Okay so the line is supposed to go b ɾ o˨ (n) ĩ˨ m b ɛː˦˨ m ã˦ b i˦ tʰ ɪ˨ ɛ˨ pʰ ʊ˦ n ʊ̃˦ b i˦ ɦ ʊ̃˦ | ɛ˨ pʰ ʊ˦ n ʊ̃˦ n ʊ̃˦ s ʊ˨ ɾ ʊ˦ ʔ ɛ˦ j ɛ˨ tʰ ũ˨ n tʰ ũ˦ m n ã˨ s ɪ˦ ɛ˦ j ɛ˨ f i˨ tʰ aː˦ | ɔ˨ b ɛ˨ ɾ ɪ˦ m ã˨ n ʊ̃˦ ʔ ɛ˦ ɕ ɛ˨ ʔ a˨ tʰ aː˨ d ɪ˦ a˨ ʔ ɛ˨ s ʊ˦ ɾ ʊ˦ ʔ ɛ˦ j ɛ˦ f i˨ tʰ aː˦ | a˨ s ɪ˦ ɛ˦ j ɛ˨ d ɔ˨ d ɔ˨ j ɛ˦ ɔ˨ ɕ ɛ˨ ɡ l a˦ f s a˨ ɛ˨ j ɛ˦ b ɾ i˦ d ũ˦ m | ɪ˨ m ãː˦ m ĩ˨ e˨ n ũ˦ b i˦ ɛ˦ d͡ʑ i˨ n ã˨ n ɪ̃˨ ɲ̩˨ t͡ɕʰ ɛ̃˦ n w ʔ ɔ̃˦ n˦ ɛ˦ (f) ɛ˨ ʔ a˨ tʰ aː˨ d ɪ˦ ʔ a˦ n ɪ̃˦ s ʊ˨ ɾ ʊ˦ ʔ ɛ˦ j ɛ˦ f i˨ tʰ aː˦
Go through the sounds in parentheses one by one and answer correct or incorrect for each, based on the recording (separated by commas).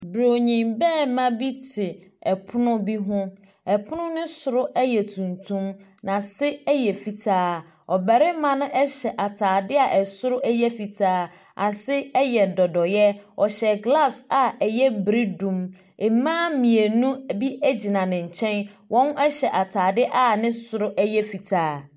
incorrect, incorrect